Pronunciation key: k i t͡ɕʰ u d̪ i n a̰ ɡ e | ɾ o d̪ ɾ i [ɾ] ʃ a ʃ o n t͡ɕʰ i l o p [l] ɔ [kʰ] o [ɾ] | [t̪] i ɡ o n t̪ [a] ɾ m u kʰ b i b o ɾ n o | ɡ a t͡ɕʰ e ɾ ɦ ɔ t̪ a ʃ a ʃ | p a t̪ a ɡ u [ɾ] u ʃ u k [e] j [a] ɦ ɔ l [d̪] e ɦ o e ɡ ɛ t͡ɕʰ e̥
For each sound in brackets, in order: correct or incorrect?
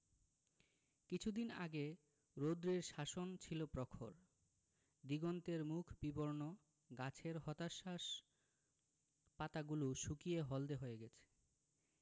correct, incorrect, correct, correct, incorrect, incorrect, incorrect, incorrect, incorrect, correct

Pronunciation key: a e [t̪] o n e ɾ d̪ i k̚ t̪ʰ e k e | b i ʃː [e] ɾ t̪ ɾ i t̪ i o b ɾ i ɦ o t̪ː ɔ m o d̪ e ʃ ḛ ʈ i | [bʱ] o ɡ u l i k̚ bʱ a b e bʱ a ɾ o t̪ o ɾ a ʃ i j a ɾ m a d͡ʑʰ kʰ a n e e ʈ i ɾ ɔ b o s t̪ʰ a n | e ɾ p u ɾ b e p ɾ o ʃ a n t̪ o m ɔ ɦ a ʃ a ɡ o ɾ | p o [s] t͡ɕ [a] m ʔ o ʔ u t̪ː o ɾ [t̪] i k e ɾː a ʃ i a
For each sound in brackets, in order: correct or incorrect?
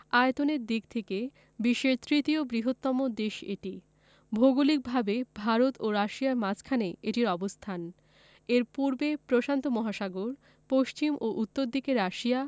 correct, correct, correct, incorrect, incorrect, incorrect

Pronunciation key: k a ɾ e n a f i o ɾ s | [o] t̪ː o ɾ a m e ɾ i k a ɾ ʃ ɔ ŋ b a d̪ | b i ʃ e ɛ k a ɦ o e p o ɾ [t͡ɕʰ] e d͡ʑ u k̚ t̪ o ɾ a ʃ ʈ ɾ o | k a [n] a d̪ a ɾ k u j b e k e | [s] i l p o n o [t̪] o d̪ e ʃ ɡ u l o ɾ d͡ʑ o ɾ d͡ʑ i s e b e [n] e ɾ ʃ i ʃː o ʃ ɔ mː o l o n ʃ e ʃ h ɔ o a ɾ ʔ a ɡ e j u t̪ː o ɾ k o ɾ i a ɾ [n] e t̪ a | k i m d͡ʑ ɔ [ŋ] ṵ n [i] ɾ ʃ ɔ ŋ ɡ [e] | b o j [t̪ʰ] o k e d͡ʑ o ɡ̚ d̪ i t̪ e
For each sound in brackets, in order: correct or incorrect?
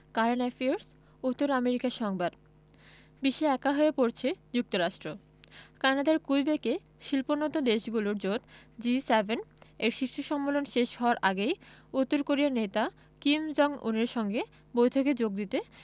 incorrect, correct, correct, incorrect, correct, correct, correct, correct, incorrect, correct, correct

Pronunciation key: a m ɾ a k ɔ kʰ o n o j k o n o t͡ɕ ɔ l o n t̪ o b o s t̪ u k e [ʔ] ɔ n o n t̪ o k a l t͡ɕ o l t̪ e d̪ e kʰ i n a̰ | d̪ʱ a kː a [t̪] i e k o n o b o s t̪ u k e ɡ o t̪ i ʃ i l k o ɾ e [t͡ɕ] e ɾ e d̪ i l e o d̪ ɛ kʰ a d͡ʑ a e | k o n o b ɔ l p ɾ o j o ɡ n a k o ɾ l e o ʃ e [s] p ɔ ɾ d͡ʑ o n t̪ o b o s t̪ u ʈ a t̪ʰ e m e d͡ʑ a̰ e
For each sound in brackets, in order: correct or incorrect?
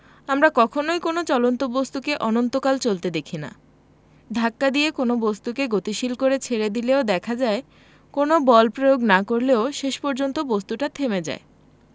correct, incorrect, incorrect, incorrect

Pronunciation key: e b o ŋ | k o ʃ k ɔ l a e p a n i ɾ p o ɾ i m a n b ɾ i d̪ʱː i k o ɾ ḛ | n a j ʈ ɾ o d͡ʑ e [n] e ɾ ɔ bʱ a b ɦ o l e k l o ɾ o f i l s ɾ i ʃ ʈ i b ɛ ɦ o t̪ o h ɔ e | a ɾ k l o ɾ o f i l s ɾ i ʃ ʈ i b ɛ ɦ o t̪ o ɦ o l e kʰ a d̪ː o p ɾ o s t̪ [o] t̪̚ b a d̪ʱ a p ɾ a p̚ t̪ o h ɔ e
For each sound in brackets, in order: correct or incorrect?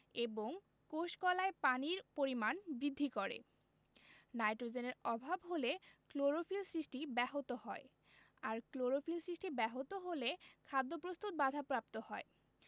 correct, incorrect

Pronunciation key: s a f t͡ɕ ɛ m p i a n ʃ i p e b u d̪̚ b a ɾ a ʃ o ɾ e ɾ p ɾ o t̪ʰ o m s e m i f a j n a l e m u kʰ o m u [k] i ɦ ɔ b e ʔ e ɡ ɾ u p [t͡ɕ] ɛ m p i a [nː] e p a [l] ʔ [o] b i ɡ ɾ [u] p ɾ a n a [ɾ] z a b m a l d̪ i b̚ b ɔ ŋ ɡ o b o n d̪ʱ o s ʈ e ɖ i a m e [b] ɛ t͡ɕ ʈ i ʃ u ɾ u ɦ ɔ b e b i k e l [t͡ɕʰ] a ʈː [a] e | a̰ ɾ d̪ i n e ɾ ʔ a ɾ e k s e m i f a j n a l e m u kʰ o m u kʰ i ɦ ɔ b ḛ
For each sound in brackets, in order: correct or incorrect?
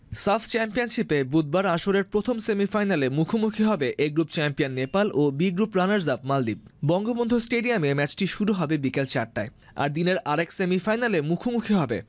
incorrect, correct, correct, correct, correct, correct, correct, incorrect, incorrect, correct

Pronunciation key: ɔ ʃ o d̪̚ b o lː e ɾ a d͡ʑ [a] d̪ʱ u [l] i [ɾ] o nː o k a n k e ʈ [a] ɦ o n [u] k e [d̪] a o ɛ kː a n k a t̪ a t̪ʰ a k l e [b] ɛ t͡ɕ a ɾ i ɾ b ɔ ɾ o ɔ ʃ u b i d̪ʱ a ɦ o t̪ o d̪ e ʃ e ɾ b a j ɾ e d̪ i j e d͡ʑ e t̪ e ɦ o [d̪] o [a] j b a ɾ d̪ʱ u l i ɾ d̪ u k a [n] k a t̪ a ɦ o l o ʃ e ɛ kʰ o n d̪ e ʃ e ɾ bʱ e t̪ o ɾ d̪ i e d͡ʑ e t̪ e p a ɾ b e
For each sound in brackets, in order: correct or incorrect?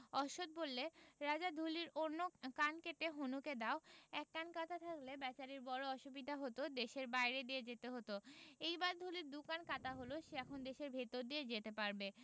correct, correct, correct, incorrect, correct, correct, correct, incorrect, incorrect, correct

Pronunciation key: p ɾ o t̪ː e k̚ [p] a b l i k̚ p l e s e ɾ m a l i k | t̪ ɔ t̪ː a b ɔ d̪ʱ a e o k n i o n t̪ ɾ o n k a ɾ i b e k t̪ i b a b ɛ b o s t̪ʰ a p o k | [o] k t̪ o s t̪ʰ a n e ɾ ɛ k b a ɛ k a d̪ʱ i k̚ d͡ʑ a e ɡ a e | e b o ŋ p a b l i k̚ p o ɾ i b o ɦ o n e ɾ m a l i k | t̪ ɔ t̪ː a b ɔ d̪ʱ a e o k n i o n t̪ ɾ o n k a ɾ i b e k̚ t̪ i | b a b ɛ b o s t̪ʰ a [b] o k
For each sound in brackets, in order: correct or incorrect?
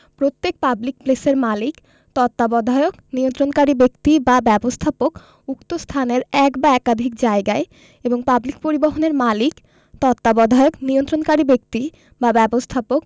correct, incorrect, incorrect

